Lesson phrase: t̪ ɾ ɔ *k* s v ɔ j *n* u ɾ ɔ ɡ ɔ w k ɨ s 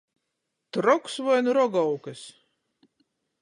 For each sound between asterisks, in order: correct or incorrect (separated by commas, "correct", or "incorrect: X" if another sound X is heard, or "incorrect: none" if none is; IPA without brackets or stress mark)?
correct, correct